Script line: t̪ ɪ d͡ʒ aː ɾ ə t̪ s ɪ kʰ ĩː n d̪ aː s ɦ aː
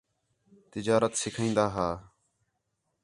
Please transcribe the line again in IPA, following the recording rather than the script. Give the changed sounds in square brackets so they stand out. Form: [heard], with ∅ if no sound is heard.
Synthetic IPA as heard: t̪ ɪ d͡ʒ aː ɾ ə t̪ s ɪ kʰ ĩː n d̪ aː [∅] ɦ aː